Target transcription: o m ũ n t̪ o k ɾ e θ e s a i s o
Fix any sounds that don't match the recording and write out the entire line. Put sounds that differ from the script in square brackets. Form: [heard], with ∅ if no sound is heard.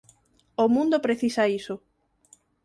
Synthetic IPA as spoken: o m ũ n [d̪] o [p] ɾ e θ [i] s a i s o